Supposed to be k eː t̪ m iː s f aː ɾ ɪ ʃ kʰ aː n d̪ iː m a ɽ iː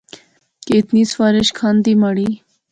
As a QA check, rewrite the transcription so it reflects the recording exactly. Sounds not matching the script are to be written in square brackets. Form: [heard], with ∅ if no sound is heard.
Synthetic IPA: k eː t̪ [n] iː s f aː ɾ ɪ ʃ kʰ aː n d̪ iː m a ɽ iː